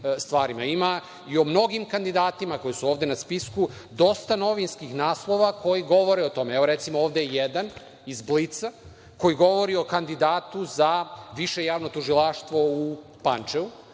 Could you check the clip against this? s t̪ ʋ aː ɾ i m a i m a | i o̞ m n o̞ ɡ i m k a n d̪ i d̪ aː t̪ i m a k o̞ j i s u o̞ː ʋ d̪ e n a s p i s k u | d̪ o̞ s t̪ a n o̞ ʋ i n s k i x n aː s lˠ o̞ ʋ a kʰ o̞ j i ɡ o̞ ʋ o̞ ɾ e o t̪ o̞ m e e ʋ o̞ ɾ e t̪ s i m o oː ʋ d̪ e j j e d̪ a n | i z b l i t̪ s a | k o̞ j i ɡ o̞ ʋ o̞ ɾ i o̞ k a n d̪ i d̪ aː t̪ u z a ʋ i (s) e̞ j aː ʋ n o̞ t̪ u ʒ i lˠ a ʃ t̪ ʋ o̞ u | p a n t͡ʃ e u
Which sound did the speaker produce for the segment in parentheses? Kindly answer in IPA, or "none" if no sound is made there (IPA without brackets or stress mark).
ʃ